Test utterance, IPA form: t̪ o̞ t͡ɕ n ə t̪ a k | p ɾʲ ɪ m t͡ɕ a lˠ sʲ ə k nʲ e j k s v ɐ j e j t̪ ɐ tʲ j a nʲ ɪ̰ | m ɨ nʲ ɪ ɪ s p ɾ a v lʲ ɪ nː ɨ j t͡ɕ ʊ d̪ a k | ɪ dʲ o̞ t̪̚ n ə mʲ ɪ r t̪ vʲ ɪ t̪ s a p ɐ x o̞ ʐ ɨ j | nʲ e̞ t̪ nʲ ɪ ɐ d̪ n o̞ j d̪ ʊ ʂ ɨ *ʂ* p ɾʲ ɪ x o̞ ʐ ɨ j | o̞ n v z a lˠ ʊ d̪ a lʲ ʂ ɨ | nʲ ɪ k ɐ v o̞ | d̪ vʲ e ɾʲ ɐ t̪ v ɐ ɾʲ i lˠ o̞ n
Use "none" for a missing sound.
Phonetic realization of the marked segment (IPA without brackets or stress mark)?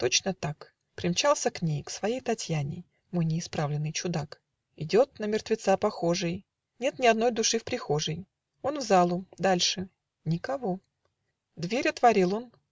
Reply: f